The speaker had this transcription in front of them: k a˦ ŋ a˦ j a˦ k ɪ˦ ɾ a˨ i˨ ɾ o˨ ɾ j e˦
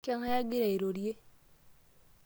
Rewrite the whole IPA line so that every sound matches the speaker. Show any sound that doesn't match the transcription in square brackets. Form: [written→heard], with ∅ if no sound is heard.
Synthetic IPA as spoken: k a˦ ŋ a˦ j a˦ [k→ɡ] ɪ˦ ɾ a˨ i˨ ɾ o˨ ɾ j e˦